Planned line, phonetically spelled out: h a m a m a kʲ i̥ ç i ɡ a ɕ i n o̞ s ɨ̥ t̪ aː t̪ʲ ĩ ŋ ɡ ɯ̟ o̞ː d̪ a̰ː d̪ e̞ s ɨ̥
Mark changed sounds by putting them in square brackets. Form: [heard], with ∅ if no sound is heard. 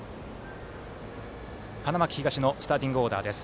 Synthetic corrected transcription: h a [n] a m a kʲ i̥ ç i ɡ a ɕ i n o̞ s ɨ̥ t̪ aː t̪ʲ ĩ ŋ ɡ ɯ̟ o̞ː d̪ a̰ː d̪ e̞ s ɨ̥